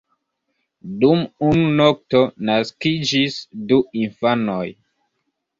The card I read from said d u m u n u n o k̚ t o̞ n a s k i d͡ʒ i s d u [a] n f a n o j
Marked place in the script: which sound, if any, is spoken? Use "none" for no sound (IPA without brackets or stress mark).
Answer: i